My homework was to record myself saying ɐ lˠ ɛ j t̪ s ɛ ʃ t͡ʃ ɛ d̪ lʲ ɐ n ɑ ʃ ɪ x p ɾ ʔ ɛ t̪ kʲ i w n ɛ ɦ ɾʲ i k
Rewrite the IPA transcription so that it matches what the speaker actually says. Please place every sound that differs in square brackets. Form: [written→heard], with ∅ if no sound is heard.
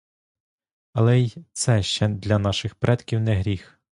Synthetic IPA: ɐ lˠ ɛ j t̪ s ɛ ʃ t͡ʃ ɛ d̪ lʲ ɐ n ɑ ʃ ɪ x p ɾ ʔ ɛ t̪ kʲ i w n ɛ ɦ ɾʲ i [k→x]